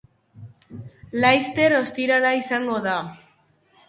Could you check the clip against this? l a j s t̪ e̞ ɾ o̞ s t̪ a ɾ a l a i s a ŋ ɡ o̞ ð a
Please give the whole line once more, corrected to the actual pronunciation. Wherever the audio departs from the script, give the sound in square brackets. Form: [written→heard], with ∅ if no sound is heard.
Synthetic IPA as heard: l a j s t̪ e̞ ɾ o̞ s t̪ [a→i] ɾ a [l→ɾ] a i s a ŋ ɡ o̞ ð a